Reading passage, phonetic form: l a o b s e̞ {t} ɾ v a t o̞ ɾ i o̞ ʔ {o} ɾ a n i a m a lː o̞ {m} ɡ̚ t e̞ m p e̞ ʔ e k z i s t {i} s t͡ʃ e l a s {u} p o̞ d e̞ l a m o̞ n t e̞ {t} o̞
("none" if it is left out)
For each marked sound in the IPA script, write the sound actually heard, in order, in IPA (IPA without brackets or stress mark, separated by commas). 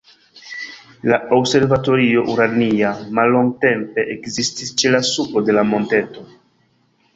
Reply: none, u, ŋ, i, u, t